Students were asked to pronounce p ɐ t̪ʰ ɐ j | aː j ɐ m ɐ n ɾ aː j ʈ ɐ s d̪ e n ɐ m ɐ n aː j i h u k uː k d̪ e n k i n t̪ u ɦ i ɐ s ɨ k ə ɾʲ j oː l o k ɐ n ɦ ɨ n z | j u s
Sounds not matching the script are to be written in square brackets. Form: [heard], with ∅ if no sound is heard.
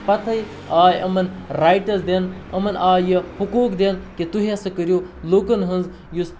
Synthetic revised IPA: p ɐ t̪ʰ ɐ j | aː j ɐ m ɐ n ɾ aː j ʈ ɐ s d̪ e n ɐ m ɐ n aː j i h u k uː k d̪ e n k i [∅] t̪ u ɦ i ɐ s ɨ k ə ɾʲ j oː l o k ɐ n ɦ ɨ n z | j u s